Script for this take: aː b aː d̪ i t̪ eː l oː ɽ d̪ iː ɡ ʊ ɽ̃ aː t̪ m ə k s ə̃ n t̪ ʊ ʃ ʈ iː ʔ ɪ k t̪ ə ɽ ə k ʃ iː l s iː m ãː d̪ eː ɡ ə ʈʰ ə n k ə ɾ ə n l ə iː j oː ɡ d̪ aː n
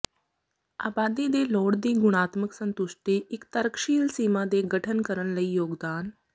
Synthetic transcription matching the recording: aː b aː d̪ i d̪ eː l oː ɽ d̪ iː ɡ ʊ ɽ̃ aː t̪ m ə k s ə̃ n t̪ ʊ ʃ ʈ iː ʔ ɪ k t̪ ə ɾ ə k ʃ iː l s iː m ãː d̪ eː ɡ ə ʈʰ ə n k ə ɾ ə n l ə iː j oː ɡ d̪ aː n

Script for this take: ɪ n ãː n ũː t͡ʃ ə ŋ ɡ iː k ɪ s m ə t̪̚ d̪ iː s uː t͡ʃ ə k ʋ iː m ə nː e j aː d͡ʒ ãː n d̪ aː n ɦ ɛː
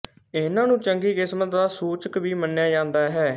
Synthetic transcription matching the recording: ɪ n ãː n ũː t͡ʃ ə ŋ ɡ iː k ɪ s m ə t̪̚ d̪ aː s uː t͡ʃ ə k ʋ iː m ə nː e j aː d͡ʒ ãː n d̪ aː ɦ ɛː

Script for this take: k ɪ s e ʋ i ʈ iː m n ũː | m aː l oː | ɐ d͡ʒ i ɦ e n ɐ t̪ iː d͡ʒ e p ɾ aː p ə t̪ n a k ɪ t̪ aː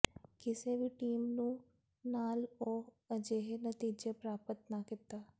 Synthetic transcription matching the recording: k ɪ s e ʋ i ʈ iː m n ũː | n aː l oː | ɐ d͡ʒ e ɦ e n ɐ t̪ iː d͡ʒ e p ɾ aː p ə t̪ n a k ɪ t̪ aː

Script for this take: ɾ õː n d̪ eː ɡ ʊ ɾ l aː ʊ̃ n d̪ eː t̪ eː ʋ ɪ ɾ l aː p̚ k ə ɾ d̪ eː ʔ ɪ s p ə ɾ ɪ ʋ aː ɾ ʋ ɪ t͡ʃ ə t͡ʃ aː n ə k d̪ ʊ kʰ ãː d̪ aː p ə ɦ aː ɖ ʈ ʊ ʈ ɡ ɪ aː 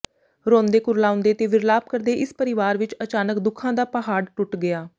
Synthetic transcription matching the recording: ɾ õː n d̪ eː k ʊ ɾ l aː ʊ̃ n d̪ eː t̪ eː ʋ ɪ ɾ l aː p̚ k ə ɾ d̪ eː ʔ ɪ s p ə ɾ ɪ ʋ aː ɾ ʋ ɪ t͡ʃ ə t͡ʃ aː n ə k d̪ ʊ kʰ ãː d̪ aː p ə ɦ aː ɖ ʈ ʊ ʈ ɡ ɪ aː

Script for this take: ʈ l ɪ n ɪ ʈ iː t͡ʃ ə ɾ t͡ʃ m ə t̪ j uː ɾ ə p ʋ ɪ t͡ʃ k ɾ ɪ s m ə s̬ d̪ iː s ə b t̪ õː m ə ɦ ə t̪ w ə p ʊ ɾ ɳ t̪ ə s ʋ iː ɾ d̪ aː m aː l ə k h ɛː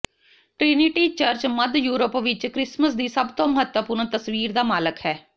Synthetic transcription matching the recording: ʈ ɾ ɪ n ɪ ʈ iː t͡ʃ ə ɾ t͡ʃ m ə d̪ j uː ɾ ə p ʋ ɪ t͡ʃ k ɾ ɪ s m ə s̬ d̪ iː s ə b t̪ õː m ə ɦ ə t̪ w ə p ʊ ɾ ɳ t̪ ə s ʋ iː ɾ d̪ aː m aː l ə k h ɛː

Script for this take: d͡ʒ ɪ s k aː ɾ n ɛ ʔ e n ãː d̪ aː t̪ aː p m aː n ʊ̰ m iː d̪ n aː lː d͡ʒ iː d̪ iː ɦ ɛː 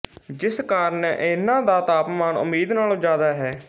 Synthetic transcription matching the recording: d͡ʒ ɪ s k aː ɾ n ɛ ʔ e n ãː d̪ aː t̪ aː p m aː n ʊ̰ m iː d̪ n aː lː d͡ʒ aː d̪ aː ɦ ɛː

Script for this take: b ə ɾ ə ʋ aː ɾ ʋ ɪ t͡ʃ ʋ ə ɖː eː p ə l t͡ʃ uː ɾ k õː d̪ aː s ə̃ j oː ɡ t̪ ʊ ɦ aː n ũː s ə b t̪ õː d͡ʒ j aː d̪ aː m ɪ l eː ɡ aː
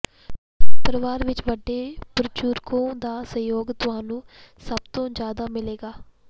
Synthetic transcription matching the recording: p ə ɾ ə ʋ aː ɾ ʋ ɪ t͡ʃ ʋ ə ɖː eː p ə ɾ t͡ʃ uː ɾ k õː d̪ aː s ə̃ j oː ɡ t̪ ʊ ɦ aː n ũː s ə b t̪ õː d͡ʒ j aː d̪ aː m ɪ l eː ɡ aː

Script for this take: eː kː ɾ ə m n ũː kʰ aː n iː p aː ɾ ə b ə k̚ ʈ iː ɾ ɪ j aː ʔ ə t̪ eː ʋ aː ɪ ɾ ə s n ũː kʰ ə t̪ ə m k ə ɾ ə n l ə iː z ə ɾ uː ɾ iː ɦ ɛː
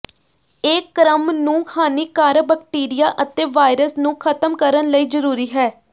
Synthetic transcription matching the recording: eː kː ɾ ə m n ũː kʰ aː n iː k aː ɾ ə b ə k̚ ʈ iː ɾ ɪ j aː ʔ ə t̪ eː ʋ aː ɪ ɾ ə s n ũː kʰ ə t̪ ə m k ə ɾ ə n l ə iː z ə ɾ uː ɾ iː ɦ ɛː

